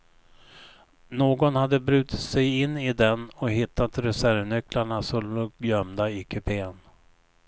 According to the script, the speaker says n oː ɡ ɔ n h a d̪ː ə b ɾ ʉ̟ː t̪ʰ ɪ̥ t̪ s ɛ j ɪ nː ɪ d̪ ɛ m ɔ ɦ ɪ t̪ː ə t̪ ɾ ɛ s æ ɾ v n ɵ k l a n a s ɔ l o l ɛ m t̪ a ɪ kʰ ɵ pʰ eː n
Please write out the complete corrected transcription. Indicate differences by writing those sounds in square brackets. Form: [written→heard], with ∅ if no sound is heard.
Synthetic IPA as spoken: n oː ɡ ɔ n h a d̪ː ə b ɾ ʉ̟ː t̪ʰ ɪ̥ t̪ s ɛ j ɪ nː ɪ d̪ ɛ [m→n] ɔ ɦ ɪ t̪ː [ə→a] t̪ ɾ ɛ s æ ɾ v n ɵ k l a [n→ɳ] a s ɔ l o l [ɛ→œ] m [t̪→d̪] a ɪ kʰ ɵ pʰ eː n